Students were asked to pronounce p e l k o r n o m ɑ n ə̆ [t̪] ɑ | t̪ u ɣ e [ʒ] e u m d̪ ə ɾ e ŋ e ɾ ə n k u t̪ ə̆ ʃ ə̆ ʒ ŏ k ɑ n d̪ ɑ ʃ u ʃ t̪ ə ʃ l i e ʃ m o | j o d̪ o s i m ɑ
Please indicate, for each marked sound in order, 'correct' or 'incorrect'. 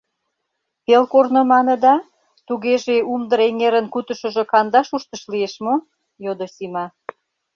incorrect: d̪, correct

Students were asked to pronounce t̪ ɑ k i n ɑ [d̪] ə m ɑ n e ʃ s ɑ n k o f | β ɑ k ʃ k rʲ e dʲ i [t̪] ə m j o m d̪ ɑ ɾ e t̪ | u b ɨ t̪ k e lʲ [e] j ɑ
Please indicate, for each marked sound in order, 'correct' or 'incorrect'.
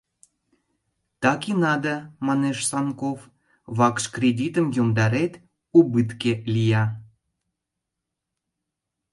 correct, correct, incorrect: i

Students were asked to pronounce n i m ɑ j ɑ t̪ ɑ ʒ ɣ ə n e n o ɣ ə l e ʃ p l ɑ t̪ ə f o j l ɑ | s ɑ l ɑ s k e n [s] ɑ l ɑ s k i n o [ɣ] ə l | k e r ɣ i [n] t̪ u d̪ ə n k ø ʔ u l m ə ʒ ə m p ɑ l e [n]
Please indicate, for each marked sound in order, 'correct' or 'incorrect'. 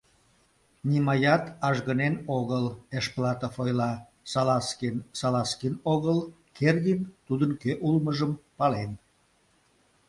correct, correct, correct, correct

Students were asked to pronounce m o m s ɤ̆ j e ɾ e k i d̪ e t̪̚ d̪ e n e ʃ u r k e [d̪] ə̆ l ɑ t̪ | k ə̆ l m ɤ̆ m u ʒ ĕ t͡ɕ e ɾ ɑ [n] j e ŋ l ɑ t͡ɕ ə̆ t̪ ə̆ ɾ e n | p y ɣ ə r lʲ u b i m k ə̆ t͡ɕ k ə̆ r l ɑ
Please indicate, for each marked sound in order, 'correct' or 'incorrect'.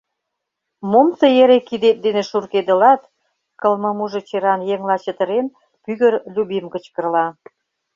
correct, correct

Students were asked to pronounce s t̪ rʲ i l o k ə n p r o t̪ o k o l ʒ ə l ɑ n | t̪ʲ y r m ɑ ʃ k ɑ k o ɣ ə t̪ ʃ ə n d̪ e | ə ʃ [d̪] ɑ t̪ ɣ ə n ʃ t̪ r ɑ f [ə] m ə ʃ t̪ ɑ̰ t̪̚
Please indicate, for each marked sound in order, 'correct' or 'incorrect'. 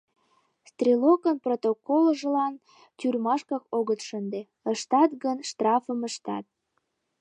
incorrect: t̪, correct

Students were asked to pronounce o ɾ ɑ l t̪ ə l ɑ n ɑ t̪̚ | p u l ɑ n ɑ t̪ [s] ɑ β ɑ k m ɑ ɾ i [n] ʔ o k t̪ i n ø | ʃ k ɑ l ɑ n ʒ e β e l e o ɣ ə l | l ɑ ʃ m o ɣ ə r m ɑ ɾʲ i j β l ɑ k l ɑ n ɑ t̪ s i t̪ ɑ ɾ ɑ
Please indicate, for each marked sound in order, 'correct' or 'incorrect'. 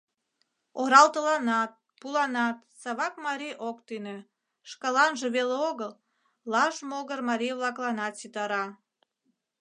correct, incorrect: none

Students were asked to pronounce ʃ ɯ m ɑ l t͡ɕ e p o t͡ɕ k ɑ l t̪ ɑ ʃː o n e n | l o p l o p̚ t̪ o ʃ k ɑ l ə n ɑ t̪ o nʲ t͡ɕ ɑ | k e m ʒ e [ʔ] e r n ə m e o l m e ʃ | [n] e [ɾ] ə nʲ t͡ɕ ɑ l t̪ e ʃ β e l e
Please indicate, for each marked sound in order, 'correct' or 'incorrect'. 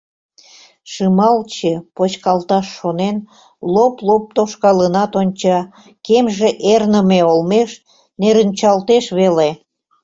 correct, correct, correct

